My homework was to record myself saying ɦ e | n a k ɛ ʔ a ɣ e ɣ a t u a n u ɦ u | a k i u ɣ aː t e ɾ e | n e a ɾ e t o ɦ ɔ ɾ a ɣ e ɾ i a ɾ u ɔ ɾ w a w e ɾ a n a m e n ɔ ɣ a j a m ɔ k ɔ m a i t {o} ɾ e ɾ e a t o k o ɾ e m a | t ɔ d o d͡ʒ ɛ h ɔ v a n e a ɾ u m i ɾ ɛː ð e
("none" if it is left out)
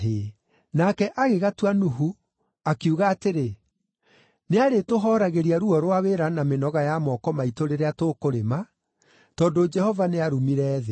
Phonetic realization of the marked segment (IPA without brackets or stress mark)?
o